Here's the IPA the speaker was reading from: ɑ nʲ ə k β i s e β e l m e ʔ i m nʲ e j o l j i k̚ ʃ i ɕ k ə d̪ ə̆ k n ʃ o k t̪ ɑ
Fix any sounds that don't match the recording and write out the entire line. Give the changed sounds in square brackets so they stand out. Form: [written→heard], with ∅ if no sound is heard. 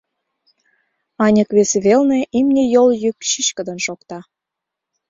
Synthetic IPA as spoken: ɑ nʲ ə k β [i→e] s e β e l [m→n] e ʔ i m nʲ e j o l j [i→y] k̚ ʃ i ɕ k ə d̪ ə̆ [k→∅] n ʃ o k t̪ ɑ